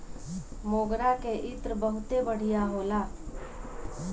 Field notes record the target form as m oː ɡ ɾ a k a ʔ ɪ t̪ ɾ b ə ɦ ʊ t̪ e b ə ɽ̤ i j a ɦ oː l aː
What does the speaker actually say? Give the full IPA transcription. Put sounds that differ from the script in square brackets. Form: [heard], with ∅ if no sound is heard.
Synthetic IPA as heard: m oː ɡ ɾ a k [e] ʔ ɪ t̪ ɾ b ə ɦ ʊ t̪ e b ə ɽ̤ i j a ɦ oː l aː